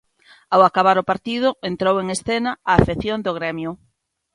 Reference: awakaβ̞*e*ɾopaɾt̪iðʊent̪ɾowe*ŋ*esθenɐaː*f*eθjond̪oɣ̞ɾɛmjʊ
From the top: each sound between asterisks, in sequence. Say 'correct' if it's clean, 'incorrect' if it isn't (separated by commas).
incorrect, correct, correct